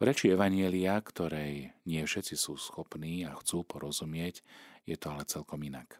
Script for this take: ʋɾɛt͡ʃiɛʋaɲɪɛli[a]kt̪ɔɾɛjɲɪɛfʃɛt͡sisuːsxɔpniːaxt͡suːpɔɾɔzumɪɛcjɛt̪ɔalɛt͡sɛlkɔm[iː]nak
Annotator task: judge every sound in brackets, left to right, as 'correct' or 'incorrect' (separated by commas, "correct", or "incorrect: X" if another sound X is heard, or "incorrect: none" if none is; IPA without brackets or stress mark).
correct, incorrect: i